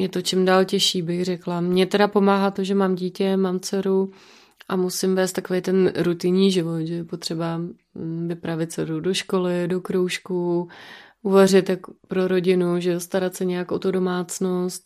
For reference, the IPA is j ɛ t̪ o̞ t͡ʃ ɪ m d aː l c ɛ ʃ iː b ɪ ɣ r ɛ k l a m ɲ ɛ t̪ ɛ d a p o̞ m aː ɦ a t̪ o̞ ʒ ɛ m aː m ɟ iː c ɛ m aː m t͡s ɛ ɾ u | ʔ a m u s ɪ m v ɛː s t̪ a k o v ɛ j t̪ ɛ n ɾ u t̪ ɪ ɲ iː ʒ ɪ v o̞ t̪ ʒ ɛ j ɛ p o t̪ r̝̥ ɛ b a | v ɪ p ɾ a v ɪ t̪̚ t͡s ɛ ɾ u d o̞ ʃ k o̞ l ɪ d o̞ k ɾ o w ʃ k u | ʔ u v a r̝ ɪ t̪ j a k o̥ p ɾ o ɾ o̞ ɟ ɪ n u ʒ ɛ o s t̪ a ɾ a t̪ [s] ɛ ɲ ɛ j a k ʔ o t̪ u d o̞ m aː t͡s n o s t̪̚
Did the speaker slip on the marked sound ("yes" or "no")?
no